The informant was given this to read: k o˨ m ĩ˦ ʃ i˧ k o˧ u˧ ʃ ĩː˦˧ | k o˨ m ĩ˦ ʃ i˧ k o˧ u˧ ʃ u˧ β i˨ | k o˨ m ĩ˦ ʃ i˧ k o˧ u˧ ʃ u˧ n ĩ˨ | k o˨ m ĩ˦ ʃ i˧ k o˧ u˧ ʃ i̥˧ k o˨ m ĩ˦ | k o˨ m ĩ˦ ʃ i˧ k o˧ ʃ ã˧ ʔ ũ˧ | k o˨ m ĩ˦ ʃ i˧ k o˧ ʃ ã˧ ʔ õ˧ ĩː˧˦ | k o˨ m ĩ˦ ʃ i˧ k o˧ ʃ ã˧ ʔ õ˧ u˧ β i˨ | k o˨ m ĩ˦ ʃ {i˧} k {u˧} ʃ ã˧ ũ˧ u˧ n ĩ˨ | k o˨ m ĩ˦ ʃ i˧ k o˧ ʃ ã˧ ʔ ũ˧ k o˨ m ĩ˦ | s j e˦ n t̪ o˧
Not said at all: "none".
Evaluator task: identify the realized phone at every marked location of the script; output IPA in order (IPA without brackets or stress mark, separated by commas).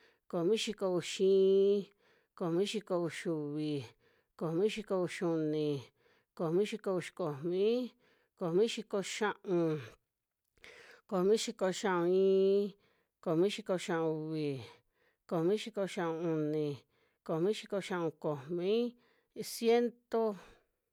i˧, o˧